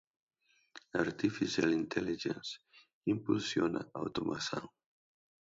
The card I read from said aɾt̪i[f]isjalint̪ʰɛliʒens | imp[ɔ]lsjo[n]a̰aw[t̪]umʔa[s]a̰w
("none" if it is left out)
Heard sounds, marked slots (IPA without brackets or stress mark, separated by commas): f, u, n, t̪, s